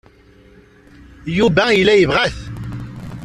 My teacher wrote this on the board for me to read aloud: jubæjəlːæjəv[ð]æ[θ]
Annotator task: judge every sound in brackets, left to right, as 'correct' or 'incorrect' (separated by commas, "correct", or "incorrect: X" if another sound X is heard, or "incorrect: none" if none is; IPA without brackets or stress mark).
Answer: incorrect: ʁ, correct